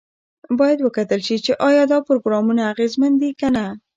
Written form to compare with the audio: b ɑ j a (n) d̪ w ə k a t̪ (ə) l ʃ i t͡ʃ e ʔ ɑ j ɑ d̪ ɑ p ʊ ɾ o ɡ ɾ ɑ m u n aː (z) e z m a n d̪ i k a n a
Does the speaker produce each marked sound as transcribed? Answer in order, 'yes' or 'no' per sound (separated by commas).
no, yes, no